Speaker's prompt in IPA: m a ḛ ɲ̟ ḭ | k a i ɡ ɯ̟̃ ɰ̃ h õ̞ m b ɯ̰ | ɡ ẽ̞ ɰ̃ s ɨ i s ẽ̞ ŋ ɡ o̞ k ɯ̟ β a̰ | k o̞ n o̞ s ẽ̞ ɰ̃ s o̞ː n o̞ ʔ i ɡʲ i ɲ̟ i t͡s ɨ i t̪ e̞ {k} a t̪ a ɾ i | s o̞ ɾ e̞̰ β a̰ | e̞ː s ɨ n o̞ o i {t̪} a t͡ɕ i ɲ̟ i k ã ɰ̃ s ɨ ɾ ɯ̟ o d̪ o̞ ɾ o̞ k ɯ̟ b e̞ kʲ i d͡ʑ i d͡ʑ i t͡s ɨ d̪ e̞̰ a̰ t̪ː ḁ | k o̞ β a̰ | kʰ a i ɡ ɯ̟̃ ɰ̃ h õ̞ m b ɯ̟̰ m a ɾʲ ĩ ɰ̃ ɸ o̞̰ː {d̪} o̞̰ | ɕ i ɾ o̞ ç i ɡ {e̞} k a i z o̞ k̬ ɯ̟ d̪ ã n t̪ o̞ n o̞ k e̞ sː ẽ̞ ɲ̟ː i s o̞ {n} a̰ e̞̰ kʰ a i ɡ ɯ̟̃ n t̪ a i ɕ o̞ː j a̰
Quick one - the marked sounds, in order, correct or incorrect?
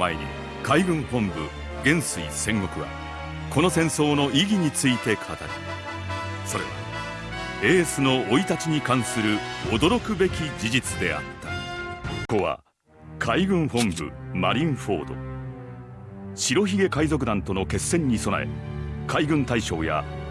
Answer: incorrect: kʰ, correct, correct, correct, correct

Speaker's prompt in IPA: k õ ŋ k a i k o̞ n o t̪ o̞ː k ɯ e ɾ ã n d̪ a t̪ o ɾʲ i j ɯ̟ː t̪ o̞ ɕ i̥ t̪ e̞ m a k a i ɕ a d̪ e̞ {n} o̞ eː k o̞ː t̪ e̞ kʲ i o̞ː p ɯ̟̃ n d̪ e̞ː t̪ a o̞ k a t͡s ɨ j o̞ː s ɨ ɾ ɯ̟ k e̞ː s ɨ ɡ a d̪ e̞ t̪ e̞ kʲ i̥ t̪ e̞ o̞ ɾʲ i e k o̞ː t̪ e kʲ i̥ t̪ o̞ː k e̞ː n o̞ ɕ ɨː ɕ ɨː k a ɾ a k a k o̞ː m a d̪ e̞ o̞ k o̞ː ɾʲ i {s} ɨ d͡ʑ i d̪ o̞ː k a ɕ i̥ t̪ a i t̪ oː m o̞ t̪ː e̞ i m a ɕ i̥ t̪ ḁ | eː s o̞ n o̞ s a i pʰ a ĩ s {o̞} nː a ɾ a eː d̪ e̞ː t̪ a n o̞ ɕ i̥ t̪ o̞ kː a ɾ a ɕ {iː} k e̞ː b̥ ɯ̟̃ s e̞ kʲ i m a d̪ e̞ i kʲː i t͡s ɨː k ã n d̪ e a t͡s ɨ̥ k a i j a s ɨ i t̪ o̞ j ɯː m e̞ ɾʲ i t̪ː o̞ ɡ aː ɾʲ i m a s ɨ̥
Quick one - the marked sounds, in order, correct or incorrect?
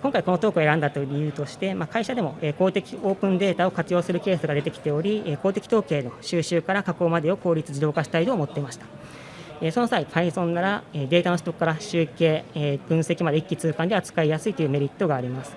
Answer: incorrect: m, incorrect: t͡s, incorrect: õ̞, incorrect: ɨː

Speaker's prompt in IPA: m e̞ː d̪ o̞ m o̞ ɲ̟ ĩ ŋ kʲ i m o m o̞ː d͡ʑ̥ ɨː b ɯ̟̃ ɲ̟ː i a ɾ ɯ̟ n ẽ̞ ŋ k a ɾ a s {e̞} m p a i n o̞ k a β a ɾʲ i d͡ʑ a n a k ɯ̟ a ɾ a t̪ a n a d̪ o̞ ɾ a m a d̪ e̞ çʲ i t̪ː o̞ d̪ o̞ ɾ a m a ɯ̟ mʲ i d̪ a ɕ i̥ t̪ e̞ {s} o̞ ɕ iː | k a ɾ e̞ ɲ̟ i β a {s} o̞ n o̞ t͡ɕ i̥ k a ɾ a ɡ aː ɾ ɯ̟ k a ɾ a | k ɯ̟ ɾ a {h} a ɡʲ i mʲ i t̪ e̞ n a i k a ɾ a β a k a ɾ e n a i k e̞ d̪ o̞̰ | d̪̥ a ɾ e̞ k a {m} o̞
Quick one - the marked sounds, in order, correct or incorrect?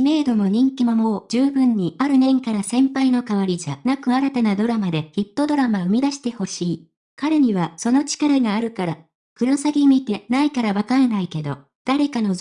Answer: incorrect: ẽ̞, incorrect: h, correct, incorrect: s, incorrect: n

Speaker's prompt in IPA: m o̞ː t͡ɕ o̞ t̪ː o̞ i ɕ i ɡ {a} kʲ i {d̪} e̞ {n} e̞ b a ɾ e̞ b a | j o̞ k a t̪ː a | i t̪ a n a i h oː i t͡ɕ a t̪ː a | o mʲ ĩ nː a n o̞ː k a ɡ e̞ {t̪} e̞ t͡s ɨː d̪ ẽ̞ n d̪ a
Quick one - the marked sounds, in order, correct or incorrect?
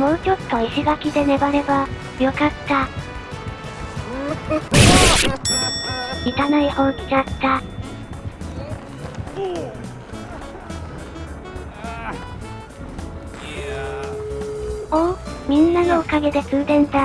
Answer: correct, correct, correct, incorrect: d̪

